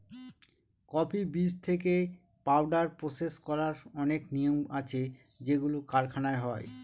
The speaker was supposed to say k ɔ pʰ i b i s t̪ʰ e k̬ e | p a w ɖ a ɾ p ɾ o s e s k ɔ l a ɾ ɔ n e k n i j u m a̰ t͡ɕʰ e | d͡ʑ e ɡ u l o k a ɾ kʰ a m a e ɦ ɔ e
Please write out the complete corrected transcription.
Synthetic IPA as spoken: k ɔ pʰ i b i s t̪ʰ e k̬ e | p a w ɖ a ɾ p ɾ o s e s k ɔ ɾ a ɾ ɔ n e k n i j o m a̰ t͡ɕʰ e | d͡ʑ e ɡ u l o k a ɾ kʰ a n a e ɦ ɔ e